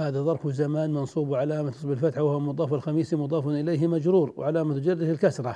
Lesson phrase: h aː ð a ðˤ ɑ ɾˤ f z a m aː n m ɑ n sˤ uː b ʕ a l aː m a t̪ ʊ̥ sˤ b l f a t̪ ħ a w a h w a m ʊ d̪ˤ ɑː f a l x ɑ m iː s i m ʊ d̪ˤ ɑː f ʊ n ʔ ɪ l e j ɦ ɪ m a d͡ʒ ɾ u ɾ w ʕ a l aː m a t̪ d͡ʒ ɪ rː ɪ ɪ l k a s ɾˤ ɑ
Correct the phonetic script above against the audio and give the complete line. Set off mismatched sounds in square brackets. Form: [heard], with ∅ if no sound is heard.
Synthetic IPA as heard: h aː ð a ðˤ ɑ ɾˤ f z a m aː n m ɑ n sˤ uː b ʕ a l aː m a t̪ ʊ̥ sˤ b l f a t̪ ħ a w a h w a m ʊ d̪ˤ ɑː f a l x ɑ m iː s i m ʊ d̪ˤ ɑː f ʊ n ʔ ɪ l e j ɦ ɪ m a d͡ʒ ɾ [uː] ɾ w ʕ a l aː m a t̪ d͡ʒ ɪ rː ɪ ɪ l k a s ɾˤ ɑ